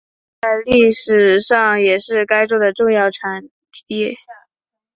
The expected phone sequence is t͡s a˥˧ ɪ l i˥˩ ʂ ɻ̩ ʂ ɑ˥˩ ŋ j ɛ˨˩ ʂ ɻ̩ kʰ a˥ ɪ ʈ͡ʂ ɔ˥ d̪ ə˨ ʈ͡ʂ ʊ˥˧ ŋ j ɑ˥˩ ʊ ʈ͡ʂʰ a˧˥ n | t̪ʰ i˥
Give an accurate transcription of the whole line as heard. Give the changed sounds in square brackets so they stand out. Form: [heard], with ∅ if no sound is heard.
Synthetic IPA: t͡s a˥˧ ɪ l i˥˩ ʂ ɻ̩ ʂ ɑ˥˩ ŋ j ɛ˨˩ ʂ ɻ̩ [k] a˥ ɪ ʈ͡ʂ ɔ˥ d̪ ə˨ ʈ͡ʂ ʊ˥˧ ŋ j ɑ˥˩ ʊ ʈ͡ʂʰ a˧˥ n | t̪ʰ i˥